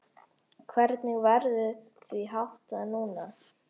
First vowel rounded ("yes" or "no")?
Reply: no